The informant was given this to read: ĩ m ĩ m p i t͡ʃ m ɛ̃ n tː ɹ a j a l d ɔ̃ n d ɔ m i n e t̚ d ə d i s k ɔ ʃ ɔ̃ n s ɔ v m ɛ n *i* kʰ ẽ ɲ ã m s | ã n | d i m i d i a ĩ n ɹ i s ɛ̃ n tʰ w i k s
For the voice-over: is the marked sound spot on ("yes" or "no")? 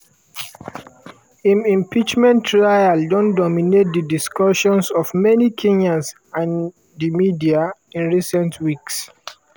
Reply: yes